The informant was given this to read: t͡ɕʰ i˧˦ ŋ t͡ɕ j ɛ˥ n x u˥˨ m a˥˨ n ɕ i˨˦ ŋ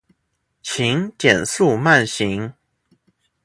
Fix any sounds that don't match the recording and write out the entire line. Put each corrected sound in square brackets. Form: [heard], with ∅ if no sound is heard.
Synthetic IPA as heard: t͡ɕʰ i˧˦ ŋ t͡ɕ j [ɛ˨˩] n [s] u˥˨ m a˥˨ n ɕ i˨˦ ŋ